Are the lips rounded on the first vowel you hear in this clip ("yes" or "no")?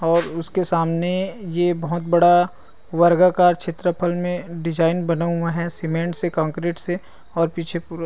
yes